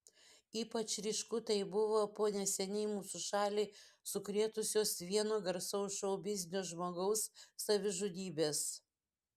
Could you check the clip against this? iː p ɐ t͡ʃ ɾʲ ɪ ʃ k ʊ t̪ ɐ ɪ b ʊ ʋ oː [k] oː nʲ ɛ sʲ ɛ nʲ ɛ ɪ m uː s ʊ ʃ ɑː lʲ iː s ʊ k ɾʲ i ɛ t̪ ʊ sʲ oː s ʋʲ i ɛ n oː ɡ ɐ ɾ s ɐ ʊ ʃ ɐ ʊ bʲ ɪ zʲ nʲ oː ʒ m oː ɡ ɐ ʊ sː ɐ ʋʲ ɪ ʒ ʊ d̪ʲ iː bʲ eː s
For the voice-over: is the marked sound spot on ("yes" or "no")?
no